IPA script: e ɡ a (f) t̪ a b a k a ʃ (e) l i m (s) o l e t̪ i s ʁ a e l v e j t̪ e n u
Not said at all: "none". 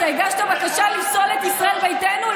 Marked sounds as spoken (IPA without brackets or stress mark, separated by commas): ʃ, a, s